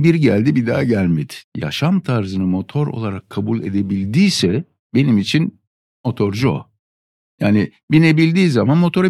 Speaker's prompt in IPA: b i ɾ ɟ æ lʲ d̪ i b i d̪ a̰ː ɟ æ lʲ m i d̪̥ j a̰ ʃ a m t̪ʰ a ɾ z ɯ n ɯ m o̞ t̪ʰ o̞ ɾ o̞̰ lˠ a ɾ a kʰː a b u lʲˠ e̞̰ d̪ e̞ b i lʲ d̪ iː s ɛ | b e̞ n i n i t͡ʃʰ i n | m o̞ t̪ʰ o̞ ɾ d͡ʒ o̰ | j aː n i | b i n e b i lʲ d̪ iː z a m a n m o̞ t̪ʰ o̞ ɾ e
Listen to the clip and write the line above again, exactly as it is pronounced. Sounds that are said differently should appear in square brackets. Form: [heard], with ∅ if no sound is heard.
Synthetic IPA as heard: b i ɾ ɟ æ lʲ d̪ i b i d̪ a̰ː ɟ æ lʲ m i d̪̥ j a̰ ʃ a m t̪ʰ a ɾ z ɯ n ɯ m o̞ t̪ʰ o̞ ɾ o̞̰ lˠ a ɾ a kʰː a b u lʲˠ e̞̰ d̪ e̞ b i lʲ d̪ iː s ɛ | b e̞ n i [m] i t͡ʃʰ i n | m o̞ t̪ʰ o̞ ɾ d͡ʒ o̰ | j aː n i | b i n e b i lʲ d̪ iː z a m a n m o̞ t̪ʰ o̞ ɾ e